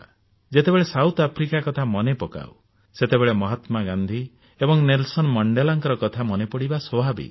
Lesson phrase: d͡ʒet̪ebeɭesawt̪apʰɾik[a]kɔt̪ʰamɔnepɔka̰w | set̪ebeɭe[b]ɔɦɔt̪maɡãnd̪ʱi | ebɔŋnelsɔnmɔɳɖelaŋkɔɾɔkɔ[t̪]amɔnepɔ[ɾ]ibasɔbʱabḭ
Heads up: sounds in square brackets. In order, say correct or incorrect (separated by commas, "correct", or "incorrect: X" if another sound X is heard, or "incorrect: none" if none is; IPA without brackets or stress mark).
correct, incorrect: m, incorrect: t̪ʰ, incorrect: ɽ